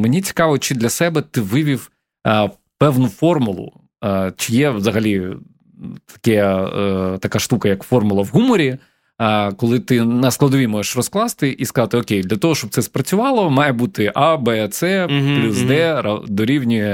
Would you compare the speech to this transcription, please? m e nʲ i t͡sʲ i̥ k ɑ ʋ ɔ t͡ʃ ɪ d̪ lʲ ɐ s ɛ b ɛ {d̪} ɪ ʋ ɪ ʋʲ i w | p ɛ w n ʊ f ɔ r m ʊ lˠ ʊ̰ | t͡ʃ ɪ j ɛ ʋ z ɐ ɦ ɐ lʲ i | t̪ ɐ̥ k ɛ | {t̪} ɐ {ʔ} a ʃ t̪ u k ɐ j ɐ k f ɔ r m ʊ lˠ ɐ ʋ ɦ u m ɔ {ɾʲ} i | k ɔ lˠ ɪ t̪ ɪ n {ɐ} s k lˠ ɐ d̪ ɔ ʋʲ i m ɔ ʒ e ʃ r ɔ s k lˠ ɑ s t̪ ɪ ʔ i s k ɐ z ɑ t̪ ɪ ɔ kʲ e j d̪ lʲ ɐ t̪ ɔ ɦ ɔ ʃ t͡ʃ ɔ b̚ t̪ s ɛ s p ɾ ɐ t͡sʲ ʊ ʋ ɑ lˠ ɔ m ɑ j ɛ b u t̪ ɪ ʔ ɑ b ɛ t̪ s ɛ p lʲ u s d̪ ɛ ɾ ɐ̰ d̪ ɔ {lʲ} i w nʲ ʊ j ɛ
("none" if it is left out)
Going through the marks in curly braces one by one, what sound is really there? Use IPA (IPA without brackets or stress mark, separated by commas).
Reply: t̪, t̪, k, ɾʲ, ɐ, ɾʲ